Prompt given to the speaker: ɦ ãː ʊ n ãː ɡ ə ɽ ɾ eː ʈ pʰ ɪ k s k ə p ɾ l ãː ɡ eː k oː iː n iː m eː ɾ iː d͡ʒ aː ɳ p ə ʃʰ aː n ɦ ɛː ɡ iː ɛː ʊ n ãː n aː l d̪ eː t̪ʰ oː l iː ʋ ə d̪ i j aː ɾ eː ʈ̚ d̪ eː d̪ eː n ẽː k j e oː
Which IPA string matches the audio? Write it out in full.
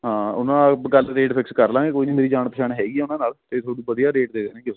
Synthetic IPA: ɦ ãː ʊ n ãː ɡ ə l ɾ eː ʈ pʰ ɪ k s k ə ɾ l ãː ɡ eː k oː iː n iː m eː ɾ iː d͡ʒ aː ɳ p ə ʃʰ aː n ɦ ɛː ɡ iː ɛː ʊ n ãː n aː l t̪ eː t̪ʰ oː ɽ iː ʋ ə d̪ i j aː ɾ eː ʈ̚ d̪ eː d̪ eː n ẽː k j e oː